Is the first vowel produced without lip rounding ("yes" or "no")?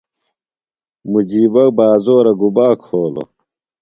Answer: no